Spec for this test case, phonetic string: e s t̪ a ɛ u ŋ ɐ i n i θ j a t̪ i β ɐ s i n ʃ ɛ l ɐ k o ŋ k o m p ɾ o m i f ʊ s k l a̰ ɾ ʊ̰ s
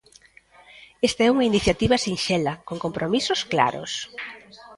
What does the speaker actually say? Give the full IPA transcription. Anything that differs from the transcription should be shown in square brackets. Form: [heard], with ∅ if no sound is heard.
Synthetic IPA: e s t̪ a ɛ u ŋ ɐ i n i θ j a t̪ i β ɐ s i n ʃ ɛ l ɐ k o ŋ k o m p ɾ o m i [s] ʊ s k l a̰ ɾ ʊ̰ s